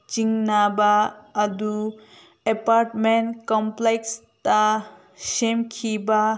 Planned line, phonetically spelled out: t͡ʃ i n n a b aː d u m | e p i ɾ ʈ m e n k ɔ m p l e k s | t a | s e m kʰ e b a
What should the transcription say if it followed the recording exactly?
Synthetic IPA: t͡ʃ i ŋ n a b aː d u | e p a ɾ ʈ m e n k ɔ m p l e k s | t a | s e m kʰ i b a